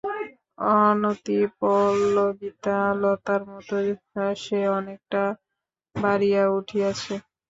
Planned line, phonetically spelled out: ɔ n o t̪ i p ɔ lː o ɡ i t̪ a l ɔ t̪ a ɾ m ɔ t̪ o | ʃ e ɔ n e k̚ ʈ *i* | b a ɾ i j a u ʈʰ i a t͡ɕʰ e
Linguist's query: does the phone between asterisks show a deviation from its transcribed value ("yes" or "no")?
yes